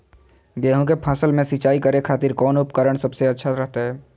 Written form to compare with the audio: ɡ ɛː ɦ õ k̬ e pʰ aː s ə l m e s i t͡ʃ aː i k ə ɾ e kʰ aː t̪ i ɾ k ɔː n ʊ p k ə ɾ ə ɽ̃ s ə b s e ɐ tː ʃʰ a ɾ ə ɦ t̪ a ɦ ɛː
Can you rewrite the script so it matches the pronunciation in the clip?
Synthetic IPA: ɡ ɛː ɦ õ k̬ e pʰ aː s ə l m ẽ s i t͡ʃ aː i k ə ɾ e kʰ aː t̪ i ɾ k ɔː n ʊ p k ə ɾ ə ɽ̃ s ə b s e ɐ tː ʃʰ a ɾ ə ɦ t̪ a ɦ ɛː